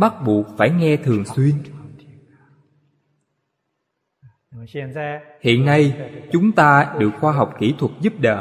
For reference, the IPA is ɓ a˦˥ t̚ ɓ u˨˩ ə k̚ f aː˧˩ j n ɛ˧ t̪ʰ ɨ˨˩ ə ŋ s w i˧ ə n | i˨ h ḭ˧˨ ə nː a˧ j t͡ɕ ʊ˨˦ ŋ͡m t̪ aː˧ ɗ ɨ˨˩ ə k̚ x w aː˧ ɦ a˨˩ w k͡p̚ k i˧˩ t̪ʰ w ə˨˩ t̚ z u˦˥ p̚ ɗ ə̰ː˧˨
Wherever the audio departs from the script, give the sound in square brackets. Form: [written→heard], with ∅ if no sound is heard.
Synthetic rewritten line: ɓ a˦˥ t̚ ɓ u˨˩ ə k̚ f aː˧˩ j [n→ŋ] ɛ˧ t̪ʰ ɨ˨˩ ə ŋ s w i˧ ə n | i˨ h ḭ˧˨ ə nː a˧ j t͡ɕ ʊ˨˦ ŋ͡m t̪ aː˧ ɗ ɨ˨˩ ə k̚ x w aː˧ ɦ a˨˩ w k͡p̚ k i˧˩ t̪ʰ w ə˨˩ t̚ z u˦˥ p̚ ɗ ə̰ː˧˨